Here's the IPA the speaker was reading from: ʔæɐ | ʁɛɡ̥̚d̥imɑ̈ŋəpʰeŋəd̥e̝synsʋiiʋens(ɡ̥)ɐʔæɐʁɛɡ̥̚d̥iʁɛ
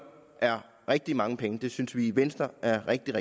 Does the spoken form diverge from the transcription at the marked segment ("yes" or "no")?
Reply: yes